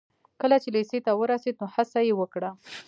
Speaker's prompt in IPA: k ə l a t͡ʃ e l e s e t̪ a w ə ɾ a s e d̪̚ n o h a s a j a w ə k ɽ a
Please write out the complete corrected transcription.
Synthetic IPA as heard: k ə l a t͡ʃ e l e s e t̪ a w ə ɾ a s e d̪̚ n o h a s a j e w ə k ɽ a